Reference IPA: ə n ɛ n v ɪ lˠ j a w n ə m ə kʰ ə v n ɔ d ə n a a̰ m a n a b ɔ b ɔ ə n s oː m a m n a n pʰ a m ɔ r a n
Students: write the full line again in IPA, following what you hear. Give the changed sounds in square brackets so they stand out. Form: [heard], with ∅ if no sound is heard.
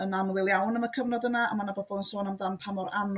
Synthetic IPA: ə n [a] n [w] ɪ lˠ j a w n ə m ə kʰ ə v n ɔ d ə n a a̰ m a n a b ɔ b ɔ ə n s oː [n] a m [d] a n pʰ a m ɔ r a n